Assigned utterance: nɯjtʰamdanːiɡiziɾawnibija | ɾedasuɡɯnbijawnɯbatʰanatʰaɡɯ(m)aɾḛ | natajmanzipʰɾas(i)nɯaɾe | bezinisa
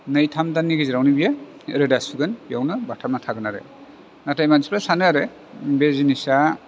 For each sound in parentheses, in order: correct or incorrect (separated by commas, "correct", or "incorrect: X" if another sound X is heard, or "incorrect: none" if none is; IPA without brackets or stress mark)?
incorrect: n, incorrect: a